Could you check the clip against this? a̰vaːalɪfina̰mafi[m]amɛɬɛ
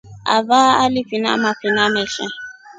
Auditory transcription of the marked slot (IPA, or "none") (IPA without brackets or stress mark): n